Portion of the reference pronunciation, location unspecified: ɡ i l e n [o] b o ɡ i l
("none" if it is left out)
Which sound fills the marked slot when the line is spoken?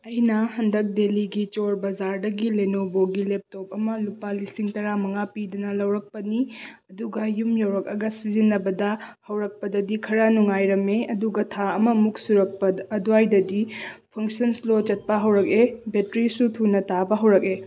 o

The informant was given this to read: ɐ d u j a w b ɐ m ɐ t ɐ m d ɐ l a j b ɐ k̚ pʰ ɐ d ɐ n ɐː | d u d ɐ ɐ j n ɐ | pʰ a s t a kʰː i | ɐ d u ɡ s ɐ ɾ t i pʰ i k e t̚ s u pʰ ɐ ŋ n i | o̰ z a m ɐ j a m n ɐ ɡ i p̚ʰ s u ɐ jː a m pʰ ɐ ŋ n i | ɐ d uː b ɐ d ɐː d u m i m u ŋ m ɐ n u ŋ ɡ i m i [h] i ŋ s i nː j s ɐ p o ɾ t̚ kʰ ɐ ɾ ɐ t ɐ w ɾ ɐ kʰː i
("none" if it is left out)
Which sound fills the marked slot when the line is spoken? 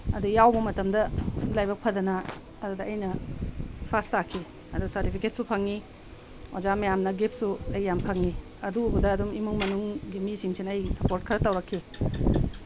s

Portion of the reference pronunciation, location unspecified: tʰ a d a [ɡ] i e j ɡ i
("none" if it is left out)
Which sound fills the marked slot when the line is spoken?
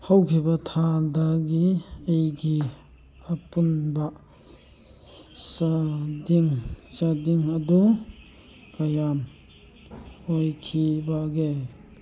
ɡ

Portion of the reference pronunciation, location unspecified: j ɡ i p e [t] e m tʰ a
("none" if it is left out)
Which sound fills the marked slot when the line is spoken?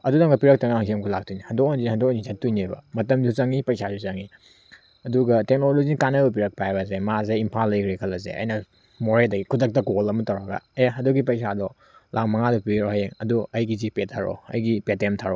t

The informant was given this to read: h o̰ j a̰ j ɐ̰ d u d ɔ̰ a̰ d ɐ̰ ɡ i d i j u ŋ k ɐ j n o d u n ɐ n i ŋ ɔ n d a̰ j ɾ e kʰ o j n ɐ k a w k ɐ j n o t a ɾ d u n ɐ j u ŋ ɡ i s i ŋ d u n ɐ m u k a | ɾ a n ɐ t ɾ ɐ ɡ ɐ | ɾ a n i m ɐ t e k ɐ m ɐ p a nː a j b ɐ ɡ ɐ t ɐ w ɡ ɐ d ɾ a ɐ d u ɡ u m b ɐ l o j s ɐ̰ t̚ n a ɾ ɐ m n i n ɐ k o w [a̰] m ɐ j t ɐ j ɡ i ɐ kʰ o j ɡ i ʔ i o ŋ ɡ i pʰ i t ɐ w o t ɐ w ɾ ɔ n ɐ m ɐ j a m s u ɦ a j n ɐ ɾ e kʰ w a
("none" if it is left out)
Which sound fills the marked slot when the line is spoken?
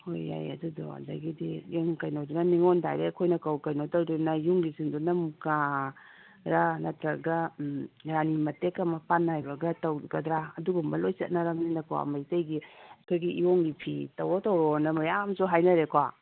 a̰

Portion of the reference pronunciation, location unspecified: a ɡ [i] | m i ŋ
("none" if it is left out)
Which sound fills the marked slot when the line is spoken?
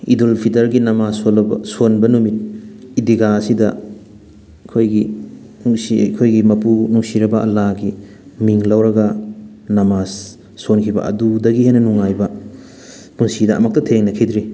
i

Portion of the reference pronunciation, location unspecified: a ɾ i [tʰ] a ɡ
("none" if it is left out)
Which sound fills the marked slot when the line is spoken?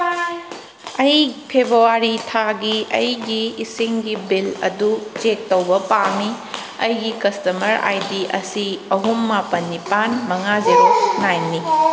tʰ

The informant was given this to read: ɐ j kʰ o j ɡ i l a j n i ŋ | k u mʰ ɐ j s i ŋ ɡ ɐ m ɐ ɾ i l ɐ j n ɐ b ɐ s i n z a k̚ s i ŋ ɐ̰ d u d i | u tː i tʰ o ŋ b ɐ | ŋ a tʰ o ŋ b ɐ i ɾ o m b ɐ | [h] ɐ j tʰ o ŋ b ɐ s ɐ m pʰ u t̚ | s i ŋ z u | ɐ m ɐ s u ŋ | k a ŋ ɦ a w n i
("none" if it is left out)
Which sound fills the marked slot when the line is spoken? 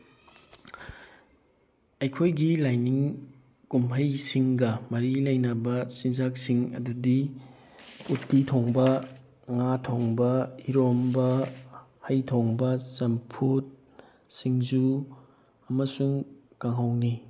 h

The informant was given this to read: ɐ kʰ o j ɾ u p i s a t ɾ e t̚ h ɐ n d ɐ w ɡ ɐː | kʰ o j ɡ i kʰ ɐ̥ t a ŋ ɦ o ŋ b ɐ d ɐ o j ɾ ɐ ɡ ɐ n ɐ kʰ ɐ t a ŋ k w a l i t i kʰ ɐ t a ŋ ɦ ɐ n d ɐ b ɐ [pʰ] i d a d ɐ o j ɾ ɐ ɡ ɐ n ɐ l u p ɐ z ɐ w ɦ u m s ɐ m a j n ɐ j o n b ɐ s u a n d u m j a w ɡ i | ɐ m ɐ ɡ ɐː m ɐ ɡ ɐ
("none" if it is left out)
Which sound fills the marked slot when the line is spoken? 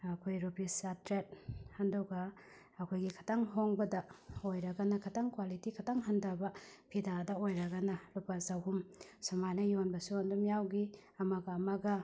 pʰ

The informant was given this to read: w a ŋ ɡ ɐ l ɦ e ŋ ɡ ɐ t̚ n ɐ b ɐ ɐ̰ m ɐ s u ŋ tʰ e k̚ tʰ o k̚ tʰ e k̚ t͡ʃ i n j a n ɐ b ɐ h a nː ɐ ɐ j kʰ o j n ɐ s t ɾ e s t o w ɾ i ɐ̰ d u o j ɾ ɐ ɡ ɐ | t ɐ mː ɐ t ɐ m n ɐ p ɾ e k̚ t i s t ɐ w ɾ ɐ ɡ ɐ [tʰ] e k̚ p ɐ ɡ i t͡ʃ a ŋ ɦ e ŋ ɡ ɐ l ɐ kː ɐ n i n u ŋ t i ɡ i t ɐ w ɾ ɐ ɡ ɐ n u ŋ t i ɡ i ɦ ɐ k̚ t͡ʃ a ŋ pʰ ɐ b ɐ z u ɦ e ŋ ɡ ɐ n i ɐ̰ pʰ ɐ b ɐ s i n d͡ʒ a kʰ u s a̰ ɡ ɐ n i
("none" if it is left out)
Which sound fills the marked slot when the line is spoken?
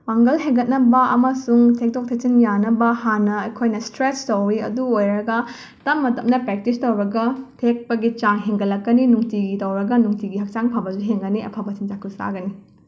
tʰ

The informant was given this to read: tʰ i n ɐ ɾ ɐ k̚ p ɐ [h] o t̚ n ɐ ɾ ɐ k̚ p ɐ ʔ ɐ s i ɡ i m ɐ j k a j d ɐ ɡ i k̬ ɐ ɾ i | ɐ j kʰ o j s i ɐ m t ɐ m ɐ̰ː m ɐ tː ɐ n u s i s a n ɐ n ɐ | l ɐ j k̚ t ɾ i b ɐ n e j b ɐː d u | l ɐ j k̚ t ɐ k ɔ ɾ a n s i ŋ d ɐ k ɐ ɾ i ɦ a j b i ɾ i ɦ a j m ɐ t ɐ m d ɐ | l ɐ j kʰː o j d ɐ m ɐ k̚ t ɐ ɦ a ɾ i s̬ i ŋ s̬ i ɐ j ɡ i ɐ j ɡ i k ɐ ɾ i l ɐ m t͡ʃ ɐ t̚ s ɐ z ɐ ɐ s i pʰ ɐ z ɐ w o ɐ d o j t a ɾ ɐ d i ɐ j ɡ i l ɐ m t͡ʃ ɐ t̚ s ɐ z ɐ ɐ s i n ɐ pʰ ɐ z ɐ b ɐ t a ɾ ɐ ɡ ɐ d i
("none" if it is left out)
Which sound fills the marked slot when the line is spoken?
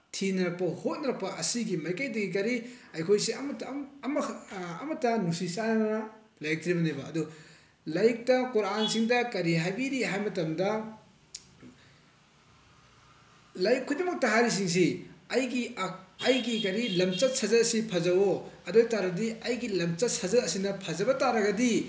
h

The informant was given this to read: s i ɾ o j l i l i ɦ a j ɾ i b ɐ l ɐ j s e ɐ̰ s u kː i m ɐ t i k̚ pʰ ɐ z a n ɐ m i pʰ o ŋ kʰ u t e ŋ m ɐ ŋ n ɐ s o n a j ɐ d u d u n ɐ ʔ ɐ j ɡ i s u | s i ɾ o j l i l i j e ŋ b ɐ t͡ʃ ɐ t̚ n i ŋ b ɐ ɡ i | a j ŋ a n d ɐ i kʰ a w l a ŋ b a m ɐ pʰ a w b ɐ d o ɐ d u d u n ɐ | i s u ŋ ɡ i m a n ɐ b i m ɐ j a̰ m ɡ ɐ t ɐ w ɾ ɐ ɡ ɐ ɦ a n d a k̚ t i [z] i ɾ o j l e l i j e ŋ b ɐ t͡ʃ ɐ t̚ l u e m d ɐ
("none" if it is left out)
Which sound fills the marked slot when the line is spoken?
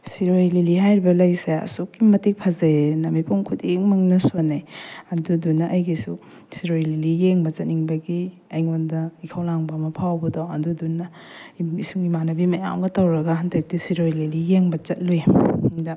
s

